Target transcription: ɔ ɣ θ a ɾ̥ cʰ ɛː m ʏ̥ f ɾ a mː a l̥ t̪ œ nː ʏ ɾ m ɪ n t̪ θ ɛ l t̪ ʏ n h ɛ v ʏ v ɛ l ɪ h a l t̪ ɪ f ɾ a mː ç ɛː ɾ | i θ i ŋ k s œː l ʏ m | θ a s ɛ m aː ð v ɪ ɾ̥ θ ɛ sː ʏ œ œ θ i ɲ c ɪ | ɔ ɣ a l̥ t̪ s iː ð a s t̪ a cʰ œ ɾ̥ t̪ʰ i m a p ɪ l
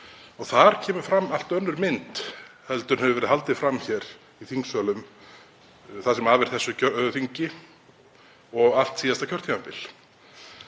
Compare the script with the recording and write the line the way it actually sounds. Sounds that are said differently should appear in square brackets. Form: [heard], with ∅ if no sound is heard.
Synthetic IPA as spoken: ɔ ɣ θ a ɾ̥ cʰ ɛː m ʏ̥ f ɾ a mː a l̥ t̪ œ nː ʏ ɾ m ɪ n t̪ [h] ɛ l t̪ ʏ n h ɛ v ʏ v ɛ [ɾ] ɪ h a l t̪ ɪ f ɾ a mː ç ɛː ɾ | i θ i ŋ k s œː l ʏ m | θ a s ɛ m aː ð v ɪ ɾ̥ θ ɛ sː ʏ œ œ θ i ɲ c ɪ | ɔ ɣ a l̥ t̪ s iː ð a s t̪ a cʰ œ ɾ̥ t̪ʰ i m a p ɪ l